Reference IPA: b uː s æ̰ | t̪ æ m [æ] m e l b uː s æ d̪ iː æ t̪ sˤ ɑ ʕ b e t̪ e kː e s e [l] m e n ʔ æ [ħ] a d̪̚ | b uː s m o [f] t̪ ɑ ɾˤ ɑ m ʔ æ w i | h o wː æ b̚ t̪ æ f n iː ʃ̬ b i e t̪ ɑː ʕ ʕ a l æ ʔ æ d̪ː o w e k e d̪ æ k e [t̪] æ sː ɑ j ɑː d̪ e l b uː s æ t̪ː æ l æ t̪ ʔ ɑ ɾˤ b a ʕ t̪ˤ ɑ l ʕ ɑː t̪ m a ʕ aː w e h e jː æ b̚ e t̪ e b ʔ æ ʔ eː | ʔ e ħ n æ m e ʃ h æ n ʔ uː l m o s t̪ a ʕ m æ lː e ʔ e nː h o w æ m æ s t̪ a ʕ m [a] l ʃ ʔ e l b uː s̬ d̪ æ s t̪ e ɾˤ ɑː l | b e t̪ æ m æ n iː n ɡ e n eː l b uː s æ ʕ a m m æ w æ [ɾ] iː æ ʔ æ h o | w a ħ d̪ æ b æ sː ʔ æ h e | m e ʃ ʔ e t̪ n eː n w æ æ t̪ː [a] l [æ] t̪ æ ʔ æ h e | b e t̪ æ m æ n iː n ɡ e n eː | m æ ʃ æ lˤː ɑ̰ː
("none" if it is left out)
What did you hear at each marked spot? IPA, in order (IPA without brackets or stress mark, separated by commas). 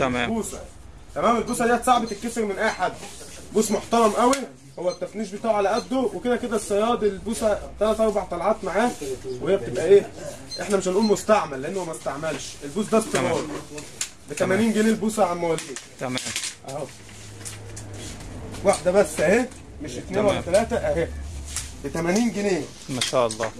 æː, ɾ, ħ, ħ, d̪, æ, l, æ, æː